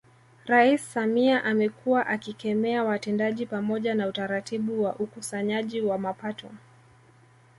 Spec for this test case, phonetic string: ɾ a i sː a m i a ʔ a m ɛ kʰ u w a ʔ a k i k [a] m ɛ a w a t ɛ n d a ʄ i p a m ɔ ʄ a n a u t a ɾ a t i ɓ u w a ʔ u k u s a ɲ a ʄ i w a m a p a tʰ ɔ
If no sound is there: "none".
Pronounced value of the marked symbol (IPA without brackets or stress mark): ɛ